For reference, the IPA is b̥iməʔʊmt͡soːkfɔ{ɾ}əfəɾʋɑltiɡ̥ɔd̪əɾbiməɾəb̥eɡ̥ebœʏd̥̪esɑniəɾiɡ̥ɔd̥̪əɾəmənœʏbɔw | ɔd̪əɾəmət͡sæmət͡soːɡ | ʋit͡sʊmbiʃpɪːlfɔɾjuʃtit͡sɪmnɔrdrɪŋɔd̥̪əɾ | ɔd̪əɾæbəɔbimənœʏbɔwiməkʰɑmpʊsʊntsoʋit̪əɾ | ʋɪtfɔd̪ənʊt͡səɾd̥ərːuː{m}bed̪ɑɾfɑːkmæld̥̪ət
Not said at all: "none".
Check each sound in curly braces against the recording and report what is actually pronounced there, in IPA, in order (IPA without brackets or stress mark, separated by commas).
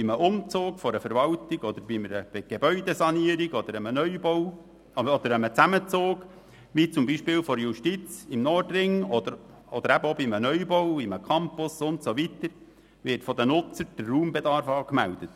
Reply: ɾ, m